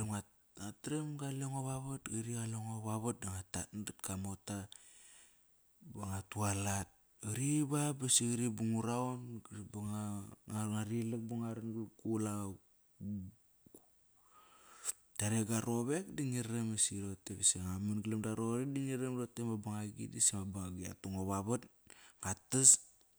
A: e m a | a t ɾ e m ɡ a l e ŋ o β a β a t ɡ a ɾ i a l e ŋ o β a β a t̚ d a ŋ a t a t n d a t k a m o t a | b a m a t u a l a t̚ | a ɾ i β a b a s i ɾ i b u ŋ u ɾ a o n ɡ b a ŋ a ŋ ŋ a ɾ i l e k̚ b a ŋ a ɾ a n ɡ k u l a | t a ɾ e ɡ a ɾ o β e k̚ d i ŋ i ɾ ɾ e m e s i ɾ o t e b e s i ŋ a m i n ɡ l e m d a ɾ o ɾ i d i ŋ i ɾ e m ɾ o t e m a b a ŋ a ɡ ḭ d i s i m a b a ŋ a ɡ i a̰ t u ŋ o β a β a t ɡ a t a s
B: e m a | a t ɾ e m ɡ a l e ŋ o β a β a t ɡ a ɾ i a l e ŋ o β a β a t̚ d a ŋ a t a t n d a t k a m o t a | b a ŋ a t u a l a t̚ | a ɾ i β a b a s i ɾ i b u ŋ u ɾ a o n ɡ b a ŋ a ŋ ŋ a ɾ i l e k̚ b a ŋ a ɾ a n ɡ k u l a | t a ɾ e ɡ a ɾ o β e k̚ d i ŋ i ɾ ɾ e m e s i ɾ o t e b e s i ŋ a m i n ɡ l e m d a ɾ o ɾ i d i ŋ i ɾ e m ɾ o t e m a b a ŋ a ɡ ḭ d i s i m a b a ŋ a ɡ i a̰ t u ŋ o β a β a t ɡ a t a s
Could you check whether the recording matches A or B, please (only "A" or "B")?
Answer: B